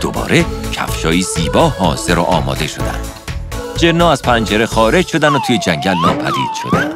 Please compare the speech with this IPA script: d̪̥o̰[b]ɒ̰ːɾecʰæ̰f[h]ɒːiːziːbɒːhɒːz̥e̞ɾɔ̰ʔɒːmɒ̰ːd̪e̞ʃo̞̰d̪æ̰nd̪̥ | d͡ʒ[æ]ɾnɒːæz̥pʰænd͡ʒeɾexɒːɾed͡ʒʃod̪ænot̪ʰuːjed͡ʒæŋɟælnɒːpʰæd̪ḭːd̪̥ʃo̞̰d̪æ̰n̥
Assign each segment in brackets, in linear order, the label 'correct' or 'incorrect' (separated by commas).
correct, incorrect, incorrect